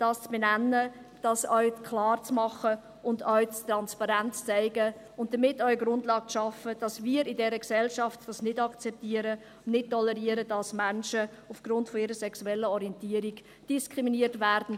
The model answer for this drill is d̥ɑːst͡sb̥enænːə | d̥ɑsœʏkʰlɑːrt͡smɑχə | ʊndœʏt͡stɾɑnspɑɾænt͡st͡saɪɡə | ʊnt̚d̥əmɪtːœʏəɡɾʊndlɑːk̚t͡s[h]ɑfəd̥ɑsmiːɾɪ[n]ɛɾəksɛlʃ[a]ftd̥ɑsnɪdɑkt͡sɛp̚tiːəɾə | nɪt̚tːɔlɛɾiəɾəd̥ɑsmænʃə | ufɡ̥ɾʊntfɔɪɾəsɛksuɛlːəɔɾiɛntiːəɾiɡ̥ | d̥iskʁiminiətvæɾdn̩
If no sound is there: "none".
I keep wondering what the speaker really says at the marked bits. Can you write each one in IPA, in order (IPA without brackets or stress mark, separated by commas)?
ʃ, d, ɑ